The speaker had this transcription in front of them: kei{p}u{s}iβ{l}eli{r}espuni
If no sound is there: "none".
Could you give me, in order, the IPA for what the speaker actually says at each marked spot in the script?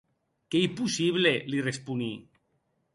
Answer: p, s, l, r

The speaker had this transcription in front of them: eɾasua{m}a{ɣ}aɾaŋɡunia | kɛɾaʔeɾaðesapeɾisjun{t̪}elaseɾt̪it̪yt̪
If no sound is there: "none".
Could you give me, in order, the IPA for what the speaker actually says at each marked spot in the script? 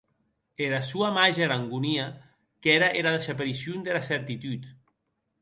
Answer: m, ʒ, d̪

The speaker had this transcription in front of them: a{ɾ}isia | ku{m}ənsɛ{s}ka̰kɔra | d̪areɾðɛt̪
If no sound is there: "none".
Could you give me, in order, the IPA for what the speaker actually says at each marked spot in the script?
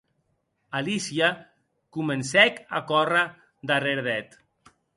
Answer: l, m, none

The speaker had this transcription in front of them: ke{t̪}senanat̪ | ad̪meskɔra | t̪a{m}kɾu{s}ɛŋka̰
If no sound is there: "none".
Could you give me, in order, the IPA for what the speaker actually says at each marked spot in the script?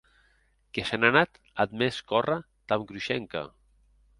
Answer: none, m, ʃ

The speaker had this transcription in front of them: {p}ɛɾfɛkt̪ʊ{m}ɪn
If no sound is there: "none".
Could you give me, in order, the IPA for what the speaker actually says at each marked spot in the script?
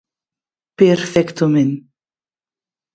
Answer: p, m

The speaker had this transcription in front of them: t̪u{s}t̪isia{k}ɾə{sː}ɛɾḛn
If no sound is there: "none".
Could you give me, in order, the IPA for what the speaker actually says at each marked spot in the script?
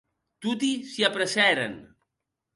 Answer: none, p, s

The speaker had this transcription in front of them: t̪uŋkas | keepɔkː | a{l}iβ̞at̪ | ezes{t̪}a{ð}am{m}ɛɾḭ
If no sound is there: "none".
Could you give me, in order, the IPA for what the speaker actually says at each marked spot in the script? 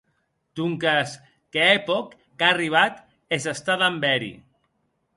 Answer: r, t̪, ð, b

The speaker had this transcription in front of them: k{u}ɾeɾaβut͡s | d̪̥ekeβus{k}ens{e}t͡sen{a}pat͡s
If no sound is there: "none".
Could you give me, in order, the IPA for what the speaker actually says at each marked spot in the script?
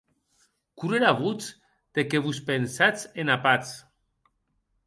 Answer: u, p, a, a

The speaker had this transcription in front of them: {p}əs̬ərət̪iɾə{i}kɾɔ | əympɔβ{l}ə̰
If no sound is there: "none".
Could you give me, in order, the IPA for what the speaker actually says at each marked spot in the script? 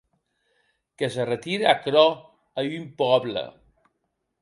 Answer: k, a, l

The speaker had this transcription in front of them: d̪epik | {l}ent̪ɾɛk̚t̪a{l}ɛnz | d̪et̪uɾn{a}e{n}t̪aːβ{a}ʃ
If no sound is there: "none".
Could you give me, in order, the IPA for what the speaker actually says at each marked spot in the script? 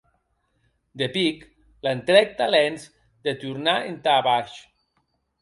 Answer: l, l, a, n, a

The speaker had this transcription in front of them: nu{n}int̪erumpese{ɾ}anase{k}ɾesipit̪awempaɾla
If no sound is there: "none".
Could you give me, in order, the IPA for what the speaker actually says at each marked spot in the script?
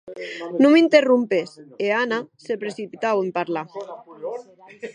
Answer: m, none, p

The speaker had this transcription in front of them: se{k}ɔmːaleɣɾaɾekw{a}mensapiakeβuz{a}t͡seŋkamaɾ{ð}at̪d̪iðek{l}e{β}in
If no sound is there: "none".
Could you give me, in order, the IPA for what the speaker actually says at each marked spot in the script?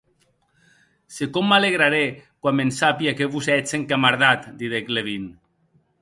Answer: k, a, ɛ, ð, l, β

